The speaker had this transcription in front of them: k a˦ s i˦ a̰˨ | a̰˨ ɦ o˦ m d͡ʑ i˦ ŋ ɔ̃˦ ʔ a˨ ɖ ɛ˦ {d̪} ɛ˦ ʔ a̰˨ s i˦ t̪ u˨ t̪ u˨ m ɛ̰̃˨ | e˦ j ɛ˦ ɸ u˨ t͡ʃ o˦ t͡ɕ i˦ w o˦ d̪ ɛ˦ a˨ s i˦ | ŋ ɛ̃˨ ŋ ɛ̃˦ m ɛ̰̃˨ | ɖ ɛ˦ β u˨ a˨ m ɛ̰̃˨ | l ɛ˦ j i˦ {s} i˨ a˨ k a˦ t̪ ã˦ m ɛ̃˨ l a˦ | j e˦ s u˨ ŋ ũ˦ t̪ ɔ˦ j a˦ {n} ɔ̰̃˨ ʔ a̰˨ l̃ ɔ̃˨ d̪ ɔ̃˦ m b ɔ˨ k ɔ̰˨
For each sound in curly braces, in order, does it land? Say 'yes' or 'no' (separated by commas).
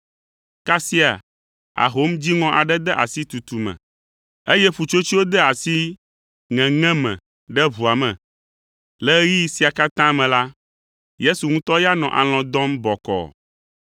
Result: yes, yes, yes